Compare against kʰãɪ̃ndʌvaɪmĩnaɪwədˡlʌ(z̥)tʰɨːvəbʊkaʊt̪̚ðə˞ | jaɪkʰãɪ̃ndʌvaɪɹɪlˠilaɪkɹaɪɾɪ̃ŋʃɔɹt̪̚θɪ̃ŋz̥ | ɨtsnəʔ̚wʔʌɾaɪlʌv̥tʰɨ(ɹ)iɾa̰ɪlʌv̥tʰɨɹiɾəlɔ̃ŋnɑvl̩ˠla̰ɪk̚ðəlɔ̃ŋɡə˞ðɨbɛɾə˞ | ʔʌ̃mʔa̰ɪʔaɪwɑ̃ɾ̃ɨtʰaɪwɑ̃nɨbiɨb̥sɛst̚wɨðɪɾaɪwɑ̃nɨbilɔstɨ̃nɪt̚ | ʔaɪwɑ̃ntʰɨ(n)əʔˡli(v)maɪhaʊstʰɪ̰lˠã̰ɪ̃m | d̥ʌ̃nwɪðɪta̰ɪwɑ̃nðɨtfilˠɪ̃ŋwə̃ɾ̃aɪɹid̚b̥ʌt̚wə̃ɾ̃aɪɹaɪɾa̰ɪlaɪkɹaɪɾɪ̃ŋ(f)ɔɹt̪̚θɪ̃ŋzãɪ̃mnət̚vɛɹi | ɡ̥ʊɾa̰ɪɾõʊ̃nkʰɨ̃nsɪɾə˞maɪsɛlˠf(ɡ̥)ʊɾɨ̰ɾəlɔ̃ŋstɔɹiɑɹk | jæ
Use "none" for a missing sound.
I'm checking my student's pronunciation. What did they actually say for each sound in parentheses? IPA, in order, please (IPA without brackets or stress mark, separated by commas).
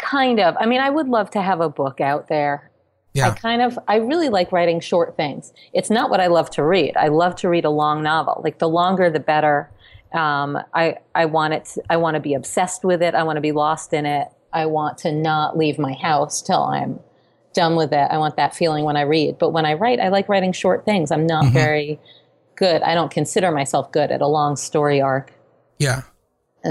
v̥, ɹ, n, v, ʃ, ɡ̥